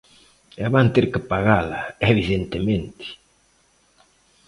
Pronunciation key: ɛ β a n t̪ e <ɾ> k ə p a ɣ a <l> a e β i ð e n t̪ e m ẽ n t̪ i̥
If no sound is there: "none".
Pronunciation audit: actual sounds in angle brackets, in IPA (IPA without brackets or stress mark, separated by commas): ɾ, l